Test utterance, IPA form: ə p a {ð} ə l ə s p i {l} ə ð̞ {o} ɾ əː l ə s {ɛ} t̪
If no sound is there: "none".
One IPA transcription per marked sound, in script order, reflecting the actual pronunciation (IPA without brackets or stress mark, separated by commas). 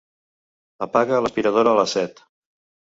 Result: ɣ, ɾ, o, ɛ